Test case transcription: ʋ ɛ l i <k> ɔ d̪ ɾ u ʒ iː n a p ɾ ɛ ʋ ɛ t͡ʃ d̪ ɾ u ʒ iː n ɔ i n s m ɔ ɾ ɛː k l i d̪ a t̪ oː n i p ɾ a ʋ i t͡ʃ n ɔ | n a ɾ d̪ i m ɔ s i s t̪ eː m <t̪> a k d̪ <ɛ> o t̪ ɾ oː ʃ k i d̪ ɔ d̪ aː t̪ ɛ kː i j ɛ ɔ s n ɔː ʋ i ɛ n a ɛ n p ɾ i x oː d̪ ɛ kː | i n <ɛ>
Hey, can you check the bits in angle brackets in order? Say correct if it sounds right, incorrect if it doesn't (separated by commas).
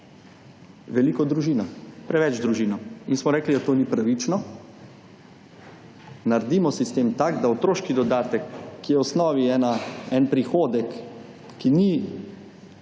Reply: correct, correct, incorrect, incorrect